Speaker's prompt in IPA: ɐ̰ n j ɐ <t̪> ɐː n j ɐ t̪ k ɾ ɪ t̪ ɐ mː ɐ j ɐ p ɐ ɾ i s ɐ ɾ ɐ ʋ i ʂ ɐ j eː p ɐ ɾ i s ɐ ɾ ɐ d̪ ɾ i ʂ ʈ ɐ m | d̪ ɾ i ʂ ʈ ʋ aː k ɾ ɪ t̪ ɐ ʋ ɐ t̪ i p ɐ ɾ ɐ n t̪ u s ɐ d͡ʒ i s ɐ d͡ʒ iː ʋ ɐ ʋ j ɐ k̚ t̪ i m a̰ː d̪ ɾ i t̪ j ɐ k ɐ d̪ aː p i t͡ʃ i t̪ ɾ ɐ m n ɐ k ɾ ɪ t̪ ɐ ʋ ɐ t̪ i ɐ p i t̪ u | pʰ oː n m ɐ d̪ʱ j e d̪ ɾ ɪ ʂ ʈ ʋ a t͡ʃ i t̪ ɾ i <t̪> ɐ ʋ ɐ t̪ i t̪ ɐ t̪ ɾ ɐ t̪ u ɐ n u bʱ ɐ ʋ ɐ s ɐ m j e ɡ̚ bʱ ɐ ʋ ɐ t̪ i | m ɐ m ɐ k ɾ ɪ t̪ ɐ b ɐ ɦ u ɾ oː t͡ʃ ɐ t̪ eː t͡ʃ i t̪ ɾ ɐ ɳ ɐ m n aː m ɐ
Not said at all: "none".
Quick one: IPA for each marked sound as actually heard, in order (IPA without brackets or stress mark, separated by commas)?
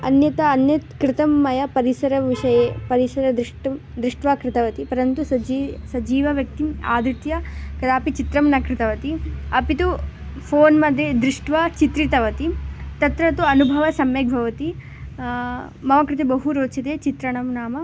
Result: t̪, t̪